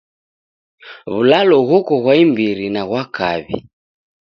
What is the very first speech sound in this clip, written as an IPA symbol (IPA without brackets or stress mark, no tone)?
β